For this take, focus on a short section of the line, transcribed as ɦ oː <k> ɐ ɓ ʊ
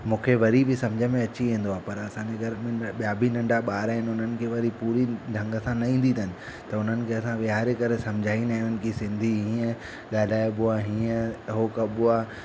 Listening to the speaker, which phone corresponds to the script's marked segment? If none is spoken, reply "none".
k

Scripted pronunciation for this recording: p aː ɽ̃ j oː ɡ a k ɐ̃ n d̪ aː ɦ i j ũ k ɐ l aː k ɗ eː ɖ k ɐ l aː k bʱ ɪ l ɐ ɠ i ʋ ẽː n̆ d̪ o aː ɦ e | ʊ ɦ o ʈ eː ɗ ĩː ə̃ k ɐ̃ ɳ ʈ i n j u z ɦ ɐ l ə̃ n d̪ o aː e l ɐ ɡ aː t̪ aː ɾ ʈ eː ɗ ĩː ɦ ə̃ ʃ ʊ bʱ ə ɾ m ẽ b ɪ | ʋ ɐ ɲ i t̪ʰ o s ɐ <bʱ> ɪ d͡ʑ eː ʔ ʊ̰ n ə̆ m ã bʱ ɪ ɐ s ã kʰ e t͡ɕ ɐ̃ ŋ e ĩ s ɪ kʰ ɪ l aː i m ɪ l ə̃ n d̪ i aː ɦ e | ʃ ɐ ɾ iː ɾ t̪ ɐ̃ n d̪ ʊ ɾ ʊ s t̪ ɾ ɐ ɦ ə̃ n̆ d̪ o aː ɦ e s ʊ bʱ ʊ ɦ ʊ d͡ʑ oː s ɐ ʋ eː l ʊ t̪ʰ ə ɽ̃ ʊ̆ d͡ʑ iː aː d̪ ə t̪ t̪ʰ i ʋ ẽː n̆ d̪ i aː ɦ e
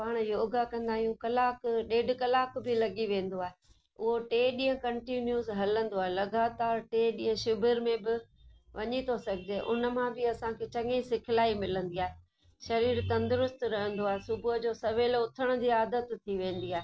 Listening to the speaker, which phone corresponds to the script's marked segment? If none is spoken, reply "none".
ɡʱ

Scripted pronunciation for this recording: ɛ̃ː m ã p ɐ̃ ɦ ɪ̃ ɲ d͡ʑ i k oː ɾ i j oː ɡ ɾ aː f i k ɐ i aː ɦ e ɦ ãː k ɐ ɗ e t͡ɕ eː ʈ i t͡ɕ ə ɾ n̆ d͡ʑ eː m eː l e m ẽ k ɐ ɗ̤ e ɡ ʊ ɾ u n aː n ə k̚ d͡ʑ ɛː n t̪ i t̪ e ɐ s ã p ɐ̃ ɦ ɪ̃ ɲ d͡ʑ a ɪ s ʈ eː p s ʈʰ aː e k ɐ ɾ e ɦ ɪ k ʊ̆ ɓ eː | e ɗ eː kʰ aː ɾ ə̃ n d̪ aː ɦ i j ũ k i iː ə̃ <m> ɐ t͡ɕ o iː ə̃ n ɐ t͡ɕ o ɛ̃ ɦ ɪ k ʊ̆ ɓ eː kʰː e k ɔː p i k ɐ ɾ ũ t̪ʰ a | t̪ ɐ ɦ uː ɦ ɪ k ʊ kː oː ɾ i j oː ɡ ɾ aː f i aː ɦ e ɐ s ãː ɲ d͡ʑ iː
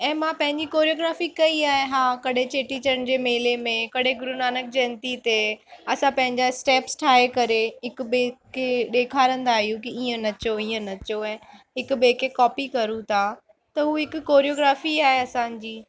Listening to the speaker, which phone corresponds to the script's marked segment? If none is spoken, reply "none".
n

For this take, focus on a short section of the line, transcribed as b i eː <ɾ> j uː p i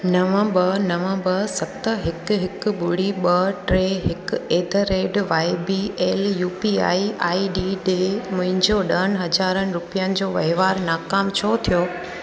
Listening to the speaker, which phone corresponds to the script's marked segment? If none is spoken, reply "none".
l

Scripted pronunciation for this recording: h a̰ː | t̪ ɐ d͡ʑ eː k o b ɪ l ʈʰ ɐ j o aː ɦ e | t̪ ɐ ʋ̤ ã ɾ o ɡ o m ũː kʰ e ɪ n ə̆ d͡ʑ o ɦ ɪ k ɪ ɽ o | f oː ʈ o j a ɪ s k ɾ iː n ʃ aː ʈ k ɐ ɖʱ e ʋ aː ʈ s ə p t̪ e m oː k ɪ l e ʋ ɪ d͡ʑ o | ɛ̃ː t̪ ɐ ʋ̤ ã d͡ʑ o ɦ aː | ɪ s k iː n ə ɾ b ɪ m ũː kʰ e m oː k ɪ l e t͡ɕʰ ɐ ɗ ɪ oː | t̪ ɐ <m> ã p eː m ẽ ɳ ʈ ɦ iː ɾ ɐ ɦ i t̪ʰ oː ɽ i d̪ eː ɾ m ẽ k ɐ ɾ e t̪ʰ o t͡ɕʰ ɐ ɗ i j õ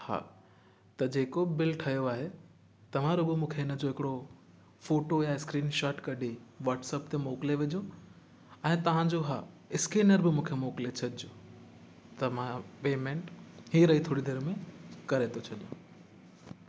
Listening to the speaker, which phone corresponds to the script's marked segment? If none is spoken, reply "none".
m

